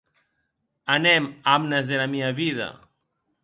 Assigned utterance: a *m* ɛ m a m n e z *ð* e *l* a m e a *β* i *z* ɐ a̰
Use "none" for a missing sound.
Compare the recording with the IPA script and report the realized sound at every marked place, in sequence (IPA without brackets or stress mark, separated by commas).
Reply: n, ð, l, β, ð